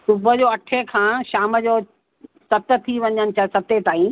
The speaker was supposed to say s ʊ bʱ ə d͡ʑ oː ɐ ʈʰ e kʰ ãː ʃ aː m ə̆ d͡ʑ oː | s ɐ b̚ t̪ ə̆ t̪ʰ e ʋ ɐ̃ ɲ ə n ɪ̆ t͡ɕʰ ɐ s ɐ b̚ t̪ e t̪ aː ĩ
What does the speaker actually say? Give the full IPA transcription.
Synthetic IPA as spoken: s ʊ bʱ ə d͡ʑ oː ɐ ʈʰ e kʰ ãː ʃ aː m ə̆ d͡ʑ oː | s ɐ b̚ t̪ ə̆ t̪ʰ i ʋ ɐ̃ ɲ ə n ɪ̆ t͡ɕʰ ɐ s ɐ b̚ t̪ e t̪ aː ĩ